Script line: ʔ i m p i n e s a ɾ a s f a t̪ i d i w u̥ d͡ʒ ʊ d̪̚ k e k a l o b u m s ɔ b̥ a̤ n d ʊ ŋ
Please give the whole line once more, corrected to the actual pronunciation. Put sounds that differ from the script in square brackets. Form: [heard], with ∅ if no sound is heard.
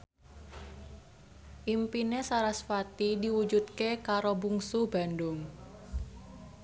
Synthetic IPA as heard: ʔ i m p i n e s a ɾ a s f a t̪ i d i w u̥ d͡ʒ [u] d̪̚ k e k a [ɾ] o b u [ŋ] s [u] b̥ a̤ n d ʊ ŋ

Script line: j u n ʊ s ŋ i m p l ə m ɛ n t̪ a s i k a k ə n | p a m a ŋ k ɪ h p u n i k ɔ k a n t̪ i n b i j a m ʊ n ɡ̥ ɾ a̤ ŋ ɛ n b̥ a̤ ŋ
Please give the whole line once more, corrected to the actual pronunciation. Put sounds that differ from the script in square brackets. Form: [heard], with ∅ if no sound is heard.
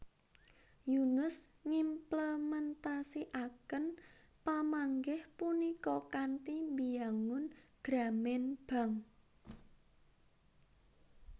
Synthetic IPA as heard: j u n ʊ s ŋ i m p l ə m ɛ n t̪ a s i [ʔ] a k ə n | p a m a ŋ [ɡ] ɪ h p u n i k ɔ k a n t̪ i [m] b i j a [ŋ] ʊ n ɡ̥ ɾ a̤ [m] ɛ n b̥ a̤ ŋ

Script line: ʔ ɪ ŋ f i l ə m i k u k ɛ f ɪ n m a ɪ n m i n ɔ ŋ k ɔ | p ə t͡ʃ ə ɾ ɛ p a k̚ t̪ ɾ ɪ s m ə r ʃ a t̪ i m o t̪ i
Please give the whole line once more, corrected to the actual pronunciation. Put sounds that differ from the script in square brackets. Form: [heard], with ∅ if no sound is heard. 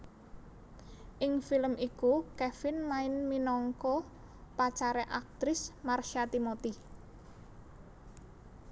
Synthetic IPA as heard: ʔ ɪ ŋ f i l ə m i k u k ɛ f ɪ n m a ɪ n m i n ɔ ŋ k ɔ | p [a] t͡ʃ [a] ɾ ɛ [ʔ] a k̚ t̪ ɾ ɪ s m [a] r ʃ a t̪ i m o t̪ i

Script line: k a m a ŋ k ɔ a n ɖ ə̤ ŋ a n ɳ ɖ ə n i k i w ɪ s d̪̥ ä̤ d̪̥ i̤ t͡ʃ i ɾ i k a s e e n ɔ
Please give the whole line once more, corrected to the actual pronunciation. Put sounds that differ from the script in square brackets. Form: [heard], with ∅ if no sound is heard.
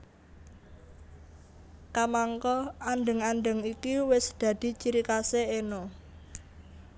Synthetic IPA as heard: k a m a ŋ k ɔ a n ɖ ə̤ ŋ a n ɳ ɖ ə [ŋ] i k i w ɪ s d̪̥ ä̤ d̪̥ i̤ t͡ʃ i ɾ i k a s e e n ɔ

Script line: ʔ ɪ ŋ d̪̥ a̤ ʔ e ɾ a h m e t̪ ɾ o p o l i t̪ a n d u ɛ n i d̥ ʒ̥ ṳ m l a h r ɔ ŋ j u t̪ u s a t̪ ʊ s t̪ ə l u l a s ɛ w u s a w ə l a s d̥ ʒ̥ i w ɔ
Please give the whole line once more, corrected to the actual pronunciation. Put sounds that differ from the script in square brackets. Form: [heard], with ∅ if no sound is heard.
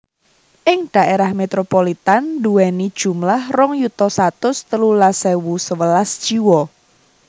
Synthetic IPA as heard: ʔ ɪ ŋ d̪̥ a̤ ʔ e ɾ a h m e t̪ ɾ o p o l i t̪ a n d u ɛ n i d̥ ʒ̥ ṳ m l a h r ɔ ŋ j u t̪ [ɔ] s a t̪ ʊ s t̪ ə l u l a s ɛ w u s [ə] w ə l a s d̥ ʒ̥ i w ɔ

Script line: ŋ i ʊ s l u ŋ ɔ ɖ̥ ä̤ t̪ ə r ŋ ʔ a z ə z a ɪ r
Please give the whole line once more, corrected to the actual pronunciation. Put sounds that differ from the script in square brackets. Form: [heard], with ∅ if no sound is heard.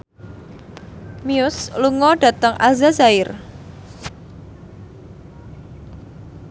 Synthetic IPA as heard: [m] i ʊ s l u ŋ ɔ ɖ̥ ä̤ t̪ ə [∅] ŋ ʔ a z [a] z a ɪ r

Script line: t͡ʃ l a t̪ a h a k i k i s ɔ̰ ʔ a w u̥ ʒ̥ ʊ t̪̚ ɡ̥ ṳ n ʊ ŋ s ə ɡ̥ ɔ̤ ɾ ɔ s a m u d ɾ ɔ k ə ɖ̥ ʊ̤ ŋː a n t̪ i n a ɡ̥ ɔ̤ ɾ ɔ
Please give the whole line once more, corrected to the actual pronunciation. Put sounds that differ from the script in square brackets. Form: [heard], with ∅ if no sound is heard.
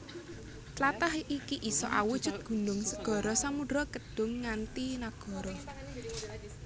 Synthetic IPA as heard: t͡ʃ l a t̪ a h [i] k i [ʔ] i s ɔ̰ ʔ a w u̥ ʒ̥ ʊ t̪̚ ɡ̥ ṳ n ʊ ŋ s ə ɡ̥ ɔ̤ ɾ ɔ s a m u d ɾ ɔ k ə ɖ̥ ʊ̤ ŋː a n t̪ i n a ɡ̥ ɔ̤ ɾ ɔ

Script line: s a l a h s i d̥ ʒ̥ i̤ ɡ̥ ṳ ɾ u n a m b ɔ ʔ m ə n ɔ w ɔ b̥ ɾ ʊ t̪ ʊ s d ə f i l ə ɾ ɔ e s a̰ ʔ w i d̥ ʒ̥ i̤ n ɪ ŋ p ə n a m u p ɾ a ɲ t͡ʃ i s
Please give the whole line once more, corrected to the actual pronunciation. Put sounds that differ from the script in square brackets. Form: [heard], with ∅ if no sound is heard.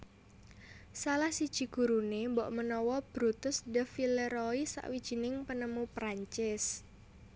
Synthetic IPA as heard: s a l a h s i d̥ ʒ̥ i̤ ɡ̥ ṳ ɾ u n [e] m b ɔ ʔ m ə n ɔ w ɔ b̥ ɾ [u] t̪ ʊ s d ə f i l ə ɾ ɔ [i] s a̰ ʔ w i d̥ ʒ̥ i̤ n ɪ ŋ p ə n [ə] m u p ɾ a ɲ t͡ʃ [ɪ] s

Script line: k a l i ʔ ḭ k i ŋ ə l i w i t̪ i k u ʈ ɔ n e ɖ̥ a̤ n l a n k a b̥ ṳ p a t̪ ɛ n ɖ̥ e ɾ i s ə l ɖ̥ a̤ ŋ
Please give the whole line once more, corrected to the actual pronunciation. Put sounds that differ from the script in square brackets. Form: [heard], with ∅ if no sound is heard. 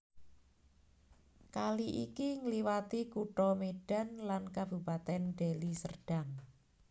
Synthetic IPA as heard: k a l i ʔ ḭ k i ŋ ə l i w [a] t̪ i k u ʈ ɔ [m] e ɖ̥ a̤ n l a n k a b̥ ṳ p a t̪ ɛ n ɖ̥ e [l] i s ə [r] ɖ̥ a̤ ŋ

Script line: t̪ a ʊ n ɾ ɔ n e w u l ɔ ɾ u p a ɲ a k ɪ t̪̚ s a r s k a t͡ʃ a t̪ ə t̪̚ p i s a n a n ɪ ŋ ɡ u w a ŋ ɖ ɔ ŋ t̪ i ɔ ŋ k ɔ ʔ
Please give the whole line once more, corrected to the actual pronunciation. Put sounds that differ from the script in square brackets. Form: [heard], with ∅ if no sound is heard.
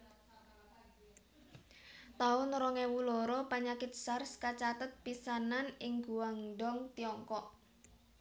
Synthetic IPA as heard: t̪ a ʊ n ɾ ɔ [ŋ] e w u l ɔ ɾ [ɔ] p a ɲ a k ɪ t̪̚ s a r s k a t͡ʃ a t̪ ə t̪̚ p i s a n a n ɪ ŋ ɡ u w a ŋ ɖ ɔ ŋ t̪ i ɔ ŋ k ɔ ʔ

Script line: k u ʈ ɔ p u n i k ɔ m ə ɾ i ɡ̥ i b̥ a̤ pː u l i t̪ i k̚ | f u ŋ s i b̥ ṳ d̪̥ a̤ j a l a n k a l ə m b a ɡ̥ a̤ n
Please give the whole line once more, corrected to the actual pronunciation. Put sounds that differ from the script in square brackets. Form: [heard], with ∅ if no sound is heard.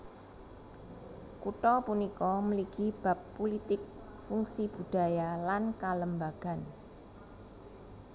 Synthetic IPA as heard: k u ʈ ɔ p u n i k ɔ m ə [l] i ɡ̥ i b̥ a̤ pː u l i t̪ [ɪ] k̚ | f u ŋ s i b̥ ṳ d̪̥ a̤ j a l a n k a l ə m b a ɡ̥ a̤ n

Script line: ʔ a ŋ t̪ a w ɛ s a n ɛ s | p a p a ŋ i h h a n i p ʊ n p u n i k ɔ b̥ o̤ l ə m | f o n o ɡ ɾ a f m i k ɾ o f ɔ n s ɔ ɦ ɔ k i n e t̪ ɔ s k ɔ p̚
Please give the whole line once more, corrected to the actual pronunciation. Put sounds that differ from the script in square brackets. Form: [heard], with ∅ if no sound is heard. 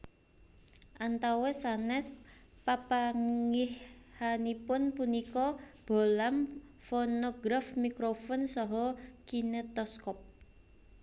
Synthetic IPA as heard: ʔ a [n] t̪ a w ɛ s a n ɛ s | p a p a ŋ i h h a n i p ʊ n p u n i k ɔ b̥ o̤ l [a] m | f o n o ɡ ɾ a f m i k ɾ o f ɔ n s ɔ ɦ ɔ k i n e t̪ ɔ s k ɔ p̚

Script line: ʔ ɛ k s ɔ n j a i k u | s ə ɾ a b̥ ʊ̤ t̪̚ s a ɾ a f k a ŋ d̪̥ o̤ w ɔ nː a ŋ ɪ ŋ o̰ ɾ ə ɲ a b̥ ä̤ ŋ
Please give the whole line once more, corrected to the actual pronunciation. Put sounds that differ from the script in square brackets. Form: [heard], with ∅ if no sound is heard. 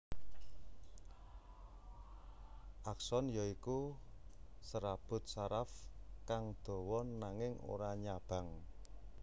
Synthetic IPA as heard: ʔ [a] k s ɔ n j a i k u | s ə ɾ a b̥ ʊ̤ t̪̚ s a ɾ a f k a ŋ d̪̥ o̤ w ɔ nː a ŋ ɪ ŋ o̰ ɾ [a] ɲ a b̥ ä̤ ŋ

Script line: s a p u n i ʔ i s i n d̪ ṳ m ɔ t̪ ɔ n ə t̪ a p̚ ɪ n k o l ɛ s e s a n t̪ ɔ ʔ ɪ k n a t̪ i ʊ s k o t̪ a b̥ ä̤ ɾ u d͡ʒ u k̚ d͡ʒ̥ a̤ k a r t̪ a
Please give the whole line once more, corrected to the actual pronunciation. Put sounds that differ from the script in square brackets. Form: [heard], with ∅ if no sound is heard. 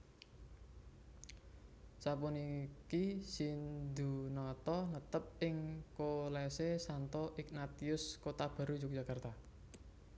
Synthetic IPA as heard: s a p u n i [k] i s i n d̪ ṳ [n] ɔ t̪ ɔ n ə t̪ [ə] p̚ ɪ [ŋ] k o l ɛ s e s a n t̪ ɔ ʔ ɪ k n a t̪ i ʊ s k o t̪ a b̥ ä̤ ɾ u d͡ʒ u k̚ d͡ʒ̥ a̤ k a r t̪ a

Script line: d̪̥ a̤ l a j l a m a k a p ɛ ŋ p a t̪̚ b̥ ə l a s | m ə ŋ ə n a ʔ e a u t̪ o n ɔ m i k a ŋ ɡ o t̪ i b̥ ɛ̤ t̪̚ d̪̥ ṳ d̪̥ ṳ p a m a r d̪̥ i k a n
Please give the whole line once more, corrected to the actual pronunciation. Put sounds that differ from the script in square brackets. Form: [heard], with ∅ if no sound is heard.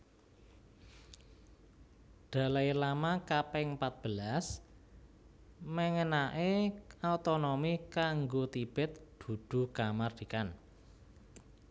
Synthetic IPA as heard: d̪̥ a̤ l a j l a m a k a p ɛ ŋ p a t̪̚ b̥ ə l a s | m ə ŋ ə n a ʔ e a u t̪ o n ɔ m i k a ŋ ɡ o t̪ i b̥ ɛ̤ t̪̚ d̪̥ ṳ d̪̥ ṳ [k] a m a r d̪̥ i k a n

